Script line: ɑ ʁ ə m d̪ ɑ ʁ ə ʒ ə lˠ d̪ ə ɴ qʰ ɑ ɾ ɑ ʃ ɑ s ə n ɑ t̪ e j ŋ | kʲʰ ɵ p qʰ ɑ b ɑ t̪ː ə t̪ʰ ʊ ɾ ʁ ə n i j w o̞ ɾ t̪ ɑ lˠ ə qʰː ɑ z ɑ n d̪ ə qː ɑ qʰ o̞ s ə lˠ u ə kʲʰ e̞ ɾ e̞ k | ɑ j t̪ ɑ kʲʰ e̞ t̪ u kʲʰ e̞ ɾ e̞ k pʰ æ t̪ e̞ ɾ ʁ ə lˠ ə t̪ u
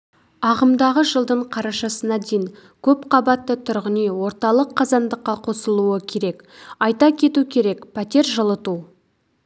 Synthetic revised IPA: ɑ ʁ ə m d̪ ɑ ʁ ə ʒ ə lˠ d̪ ə ɴ qʰ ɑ ɾ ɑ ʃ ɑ s ə n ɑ d̪ e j ŋ | kʲʰ ɵ p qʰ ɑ b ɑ t̪ː ə t̪ʰ ʊ ɾ ʁ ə n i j w o̞ ɾ t̪ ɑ lˠ ə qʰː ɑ z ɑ n d̪ ə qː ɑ qʰ o̞ s ə lˠ u ə kʲʰ e̞ ɾ e̞ k | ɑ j t̪ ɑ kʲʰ e̞ t̪ u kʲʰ e̞ ɾ e̞ k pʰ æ t̪ e̞ ɾ ʒ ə lˠ ə t̪ u